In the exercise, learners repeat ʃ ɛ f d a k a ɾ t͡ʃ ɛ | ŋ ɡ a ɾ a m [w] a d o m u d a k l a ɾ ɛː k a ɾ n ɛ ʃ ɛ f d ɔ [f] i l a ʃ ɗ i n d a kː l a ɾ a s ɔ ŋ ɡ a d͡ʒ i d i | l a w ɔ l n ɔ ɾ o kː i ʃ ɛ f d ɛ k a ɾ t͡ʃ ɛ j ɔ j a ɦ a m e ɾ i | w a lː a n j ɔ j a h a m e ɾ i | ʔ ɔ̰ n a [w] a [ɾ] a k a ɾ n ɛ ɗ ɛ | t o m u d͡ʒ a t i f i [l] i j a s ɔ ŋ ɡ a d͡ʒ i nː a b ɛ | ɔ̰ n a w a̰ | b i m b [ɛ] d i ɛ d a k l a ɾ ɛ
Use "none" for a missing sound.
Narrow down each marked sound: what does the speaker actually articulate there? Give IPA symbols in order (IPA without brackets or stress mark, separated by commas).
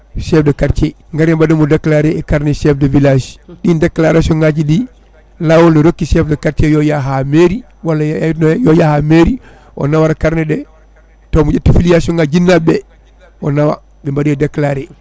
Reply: b, v, w, ɾ, l, a